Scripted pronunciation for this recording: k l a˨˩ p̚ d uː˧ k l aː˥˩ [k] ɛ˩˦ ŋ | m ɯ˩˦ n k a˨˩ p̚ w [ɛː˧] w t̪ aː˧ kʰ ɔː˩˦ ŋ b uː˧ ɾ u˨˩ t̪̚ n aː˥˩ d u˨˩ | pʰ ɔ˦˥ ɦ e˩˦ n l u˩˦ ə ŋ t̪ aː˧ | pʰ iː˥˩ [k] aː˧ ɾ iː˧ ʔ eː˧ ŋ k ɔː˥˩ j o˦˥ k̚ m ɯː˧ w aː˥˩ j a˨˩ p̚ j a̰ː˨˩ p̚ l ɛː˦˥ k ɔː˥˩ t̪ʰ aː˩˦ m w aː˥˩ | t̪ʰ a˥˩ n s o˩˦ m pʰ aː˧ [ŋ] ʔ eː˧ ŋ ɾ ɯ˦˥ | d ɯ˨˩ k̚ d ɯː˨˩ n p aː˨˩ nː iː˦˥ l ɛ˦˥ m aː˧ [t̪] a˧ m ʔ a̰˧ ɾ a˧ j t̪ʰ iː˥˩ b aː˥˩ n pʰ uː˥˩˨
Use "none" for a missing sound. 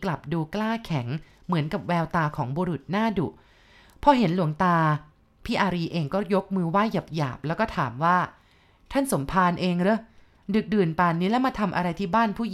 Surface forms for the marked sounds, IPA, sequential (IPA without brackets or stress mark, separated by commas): kʰ, ɛː˧, ʔ, n, t̪ʰ